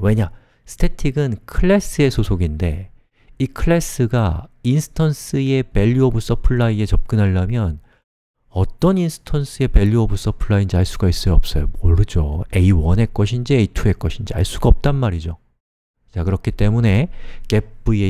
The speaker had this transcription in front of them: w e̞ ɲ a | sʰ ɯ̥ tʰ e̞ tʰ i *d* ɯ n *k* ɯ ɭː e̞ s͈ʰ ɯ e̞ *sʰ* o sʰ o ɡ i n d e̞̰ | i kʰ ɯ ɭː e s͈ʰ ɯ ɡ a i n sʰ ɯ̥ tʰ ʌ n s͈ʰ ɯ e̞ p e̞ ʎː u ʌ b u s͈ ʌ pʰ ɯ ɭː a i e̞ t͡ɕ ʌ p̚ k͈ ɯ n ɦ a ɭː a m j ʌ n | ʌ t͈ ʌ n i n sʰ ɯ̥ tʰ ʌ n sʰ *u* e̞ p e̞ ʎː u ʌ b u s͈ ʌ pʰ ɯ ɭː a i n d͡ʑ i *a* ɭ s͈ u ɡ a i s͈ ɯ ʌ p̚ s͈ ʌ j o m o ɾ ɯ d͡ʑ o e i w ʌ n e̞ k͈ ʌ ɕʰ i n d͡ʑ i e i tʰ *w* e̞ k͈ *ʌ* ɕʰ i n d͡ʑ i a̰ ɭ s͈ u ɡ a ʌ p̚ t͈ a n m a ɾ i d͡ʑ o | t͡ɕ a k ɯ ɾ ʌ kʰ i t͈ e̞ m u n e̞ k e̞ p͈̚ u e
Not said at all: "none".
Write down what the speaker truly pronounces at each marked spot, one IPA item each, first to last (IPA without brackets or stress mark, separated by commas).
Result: ɡ, kʰ, sʰ, ɯ, a, u, ʌ